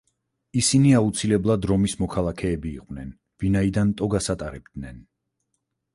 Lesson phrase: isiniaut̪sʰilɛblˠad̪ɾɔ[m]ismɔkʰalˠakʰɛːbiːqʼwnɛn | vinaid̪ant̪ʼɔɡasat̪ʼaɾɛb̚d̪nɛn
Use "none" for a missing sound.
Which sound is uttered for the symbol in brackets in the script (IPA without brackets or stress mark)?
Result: m